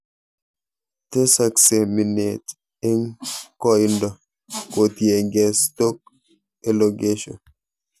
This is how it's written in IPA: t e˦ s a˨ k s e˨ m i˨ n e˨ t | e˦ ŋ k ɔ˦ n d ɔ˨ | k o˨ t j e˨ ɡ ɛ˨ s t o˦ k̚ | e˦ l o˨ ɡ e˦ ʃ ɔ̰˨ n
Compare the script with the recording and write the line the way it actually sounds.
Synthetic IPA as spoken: t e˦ s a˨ k s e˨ m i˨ n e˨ t | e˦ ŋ k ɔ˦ n d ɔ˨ | k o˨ t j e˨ ɡ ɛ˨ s t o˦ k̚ | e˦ l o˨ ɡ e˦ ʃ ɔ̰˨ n